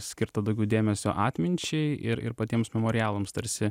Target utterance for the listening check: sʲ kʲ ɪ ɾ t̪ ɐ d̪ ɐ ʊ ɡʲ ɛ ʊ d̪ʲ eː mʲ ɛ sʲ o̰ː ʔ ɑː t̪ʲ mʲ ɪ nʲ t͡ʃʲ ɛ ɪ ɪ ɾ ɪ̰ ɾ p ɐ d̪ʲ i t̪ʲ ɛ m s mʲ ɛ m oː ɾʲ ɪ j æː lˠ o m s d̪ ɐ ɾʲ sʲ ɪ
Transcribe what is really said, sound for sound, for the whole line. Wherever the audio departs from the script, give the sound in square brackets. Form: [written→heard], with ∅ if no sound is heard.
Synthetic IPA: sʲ kʲ ɪ ɾ t̪ ɐ d̪ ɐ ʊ ɡʲ ɛ ʊ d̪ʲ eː mʲ ɛ sʲ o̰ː ʔ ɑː t̪ʲ mʲ ɪ nʲ t͡ʃʲ ɛ ɪ ɪ ɾ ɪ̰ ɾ p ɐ [d̪ʲ→t̪ʲ] i [t̪ʲ→∅] ɛ m s mʲ ɛ m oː ɾʲ ɪ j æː lˠ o m s [d̪→t̪] ɐ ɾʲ sʲ ɪ